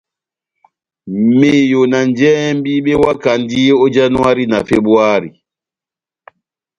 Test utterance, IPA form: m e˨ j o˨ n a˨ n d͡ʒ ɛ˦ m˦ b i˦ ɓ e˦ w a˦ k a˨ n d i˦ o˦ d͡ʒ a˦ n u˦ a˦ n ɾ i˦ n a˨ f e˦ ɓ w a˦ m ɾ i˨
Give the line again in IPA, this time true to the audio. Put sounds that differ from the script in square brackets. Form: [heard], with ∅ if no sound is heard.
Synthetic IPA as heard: m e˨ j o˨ n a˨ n d͡ʒ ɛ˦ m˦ b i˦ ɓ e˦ w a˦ k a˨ n d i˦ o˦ d͡ʒ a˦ n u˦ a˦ [∅] ɾ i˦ n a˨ f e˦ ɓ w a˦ [∅] ɾ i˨